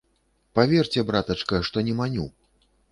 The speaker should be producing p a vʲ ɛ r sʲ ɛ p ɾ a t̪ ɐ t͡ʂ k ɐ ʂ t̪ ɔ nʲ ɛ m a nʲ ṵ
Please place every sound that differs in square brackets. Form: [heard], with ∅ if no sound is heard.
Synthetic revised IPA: p a vʲ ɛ r [t͡sʲ] ɛ [b] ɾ a t̪ ɐ t͡ʂ k ɐ ʂ t̪ ɔ nʲ ɛ m a nʲ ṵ